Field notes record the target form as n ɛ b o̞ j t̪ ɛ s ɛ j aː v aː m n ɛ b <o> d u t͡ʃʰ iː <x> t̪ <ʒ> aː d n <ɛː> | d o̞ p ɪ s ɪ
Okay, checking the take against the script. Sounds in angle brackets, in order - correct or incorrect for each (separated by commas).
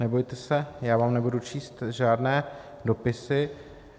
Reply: incorrect, incorrect, correct, correct